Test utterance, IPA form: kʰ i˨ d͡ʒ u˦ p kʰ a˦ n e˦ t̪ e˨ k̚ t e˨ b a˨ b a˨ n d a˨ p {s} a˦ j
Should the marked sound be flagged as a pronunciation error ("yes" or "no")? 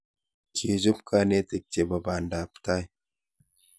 yes